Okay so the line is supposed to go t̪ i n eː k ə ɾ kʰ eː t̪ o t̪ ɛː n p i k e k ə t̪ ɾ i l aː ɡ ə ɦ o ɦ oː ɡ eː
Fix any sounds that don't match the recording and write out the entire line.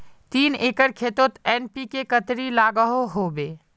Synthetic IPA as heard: t̪ iː n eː k ə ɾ kʰ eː t̪ o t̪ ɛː n p i k e k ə t̪ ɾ i l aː ɡ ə ɦ o ɦ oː b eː